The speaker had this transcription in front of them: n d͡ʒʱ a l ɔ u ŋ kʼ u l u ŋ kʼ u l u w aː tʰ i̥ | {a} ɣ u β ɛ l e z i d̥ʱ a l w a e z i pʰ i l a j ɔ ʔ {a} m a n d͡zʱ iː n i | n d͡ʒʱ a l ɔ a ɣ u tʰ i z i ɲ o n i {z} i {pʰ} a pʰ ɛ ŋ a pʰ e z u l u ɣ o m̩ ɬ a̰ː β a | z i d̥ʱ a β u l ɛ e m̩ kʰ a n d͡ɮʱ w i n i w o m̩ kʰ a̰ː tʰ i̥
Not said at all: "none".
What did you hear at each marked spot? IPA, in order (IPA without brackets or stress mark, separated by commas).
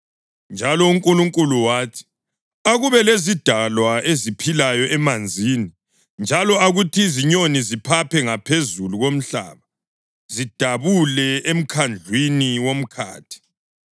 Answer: a, ɛ, z, pʰ